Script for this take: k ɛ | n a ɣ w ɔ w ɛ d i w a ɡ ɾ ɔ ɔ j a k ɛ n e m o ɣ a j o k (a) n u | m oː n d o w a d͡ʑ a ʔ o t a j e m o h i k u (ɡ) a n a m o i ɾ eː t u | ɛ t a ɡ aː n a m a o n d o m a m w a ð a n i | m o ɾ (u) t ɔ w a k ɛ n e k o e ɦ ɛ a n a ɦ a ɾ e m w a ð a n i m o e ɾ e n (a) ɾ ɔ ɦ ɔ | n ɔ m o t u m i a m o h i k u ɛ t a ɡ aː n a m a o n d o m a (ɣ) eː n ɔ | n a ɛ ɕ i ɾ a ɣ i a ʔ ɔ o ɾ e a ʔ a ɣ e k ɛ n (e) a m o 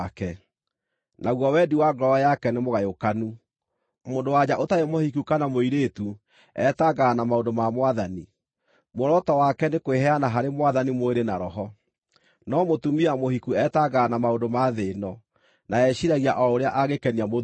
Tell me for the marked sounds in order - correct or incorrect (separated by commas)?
correct, incorrect, incorrect, correct, incorrect, incorrect